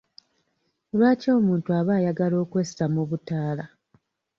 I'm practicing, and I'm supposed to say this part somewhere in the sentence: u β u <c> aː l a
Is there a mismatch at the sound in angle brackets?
yes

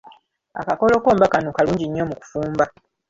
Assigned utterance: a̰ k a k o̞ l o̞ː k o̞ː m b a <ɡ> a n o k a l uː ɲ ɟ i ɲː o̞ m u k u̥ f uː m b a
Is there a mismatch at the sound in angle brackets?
yes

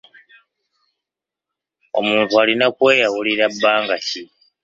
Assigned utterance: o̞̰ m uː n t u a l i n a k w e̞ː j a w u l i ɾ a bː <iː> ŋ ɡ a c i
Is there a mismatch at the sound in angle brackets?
yes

